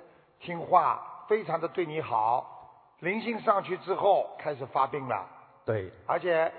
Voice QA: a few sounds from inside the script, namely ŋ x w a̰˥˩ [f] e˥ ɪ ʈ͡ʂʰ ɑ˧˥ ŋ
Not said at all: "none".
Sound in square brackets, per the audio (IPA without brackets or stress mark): f